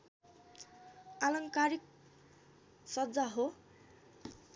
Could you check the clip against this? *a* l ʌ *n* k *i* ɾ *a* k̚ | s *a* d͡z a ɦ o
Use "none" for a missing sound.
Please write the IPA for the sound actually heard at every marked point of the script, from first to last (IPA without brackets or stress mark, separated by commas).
a, ŋ, a, i, ʌ